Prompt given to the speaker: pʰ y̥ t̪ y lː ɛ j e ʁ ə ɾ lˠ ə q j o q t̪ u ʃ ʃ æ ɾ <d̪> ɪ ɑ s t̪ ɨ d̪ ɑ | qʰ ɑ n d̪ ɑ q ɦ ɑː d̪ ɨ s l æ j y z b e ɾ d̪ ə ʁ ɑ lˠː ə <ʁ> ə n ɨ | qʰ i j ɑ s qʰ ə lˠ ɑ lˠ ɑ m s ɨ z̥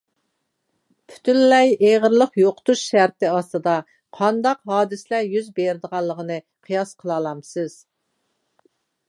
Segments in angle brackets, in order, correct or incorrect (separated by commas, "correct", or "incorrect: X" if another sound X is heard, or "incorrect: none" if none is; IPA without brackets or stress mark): incorrect: t̪, correct